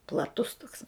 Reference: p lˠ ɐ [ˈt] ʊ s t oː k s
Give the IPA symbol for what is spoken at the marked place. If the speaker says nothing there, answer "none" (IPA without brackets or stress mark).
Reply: t